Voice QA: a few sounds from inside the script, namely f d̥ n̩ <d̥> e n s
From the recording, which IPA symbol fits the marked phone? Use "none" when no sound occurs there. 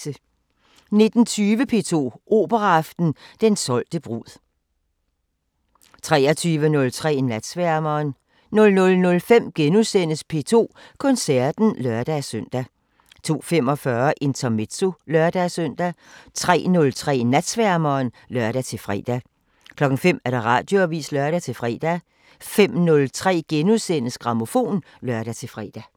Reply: d̥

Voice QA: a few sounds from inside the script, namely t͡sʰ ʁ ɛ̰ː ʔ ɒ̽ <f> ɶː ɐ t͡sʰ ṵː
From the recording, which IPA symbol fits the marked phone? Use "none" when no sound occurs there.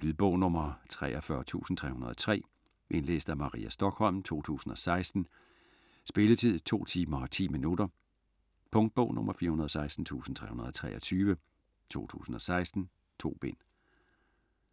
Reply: f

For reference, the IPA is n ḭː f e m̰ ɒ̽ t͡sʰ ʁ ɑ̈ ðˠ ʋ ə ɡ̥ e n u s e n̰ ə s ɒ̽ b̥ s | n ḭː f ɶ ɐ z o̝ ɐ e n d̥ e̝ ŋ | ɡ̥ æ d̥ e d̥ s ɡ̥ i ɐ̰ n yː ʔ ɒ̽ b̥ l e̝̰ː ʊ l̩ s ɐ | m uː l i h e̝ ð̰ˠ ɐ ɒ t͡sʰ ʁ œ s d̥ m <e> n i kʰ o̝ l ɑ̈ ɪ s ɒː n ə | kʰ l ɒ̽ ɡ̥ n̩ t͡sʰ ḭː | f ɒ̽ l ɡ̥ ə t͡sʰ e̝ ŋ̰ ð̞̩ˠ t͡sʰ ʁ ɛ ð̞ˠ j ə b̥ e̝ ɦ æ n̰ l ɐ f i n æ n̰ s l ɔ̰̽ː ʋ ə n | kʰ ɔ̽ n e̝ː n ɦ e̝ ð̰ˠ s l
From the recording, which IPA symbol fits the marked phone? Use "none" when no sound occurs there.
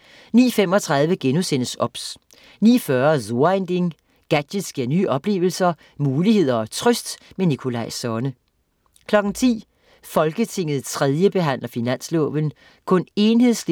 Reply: e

